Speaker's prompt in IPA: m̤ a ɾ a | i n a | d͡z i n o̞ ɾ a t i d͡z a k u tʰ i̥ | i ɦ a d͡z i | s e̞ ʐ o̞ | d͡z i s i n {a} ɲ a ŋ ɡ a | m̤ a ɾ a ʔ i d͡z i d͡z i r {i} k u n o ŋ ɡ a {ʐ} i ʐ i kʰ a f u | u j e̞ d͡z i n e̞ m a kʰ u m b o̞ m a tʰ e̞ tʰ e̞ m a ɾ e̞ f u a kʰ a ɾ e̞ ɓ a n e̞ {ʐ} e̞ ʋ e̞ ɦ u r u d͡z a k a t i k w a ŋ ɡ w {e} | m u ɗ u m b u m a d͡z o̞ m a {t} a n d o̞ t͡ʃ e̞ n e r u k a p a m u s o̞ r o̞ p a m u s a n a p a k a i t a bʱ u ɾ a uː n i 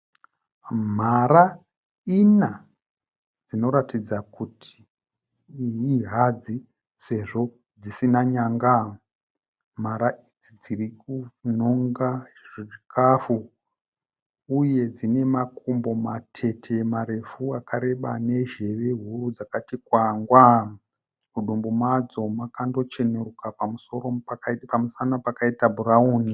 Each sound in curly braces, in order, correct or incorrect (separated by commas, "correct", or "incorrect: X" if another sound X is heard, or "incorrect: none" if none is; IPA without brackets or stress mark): correct, correct, correct, incorrect: ʒ, incorrect: a, incorrect: k